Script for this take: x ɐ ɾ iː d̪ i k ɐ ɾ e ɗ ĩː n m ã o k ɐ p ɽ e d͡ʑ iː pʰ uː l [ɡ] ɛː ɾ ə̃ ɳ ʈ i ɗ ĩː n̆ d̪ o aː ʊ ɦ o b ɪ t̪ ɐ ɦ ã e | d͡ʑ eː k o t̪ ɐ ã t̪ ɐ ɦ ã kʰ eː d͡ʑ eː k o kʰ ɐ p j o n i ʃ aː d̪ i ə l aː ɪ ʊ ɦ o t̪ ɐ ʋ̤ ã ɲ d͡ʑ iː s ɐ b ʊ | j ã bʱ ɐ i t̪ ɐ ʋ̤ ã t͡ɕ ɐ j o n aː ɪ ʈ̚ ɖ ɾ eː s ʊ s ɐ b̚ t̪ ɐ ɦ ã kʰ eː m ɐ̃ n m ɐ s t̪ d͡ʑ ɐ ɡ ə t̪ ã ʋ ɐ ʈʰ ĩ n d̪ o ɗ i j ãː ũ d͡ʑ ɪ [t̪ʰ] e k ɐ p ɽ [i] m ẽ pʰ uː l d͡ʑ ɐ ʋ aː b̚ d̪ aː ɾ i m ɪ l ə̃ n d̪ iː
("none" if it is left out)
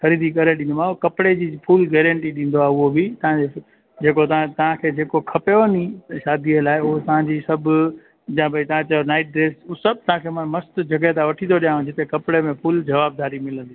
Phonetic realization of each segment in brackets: ɡ, t̪, e

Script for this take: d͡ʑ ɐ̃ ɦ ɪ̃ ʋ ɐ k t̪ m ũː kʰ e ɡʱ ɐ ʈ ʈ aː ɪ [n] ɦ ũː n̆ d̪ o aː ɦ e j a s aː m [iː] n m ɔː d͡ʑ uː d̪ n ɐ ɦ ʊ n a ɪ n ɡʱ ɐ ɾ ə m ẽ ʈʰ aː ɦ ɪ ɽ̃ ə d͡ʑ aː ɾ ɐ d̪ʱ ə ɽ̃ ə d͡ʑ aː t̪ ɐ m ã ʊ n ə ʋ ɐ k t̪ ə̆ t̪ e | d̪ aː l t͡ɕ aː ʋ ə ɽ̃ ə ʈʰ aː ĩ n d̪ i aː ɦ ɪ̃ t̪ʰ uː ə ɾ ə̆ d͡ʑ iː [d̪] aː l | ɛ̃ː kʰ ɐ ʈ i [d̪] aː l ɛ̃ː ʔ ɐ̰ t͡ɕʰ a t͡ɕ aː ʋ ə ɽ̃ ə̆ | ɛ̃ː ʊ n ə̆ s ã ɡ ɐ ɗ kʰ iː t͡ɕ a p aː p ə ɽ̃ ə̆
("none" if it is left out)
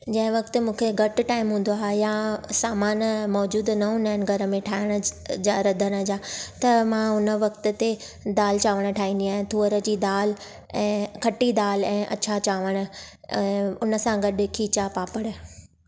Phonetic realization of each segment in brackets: m, aː, d̪, d̪

